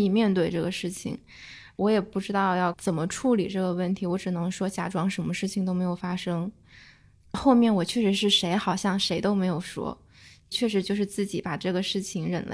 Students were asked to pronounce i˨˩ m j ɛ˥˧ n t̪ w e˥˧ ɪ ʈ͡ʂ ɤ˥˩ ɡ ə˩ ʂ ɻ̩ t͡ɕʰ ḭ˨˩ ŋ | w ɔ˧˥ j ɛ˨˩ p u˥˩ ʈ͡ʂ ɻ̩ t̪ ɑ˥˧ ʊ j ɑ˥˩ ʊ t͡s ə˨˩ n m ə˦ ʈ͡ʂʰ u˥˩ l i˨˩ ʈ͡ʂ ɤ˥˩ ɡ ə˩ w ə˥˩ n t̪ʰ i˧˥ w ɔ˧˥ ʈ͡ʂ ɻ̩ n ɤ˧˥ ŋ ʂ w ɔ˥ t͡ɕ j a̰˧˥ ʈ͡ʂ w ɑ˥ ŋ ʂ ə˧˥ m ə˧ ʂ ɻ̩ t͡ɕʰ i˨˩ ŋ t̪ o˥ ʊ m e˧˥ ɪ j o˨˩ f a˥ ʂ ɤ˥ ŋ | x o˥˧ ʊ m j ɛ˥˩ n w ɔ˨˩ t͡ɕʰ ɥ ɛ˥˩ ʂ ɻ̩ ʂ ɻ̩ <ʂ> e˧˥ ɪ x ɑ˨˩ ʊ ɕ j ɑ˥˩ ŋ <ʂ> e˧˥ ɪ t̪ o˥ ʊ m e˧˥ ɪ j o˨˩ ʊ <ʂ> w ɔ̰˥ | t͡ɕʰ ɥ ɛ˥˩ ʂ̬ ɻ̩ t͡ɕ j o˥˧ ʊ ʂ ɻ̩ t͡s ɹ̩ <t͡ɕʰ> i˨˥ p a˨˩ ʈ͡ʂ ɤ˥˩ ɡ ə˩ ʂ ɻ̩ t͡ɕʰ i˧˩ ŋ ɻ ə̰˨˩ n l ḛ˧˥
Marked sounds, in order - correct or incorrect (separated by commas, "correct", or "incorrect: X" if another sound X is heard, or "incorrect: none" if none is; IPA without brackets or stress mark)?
correct, correct, correct, incorrect: t͡ɕ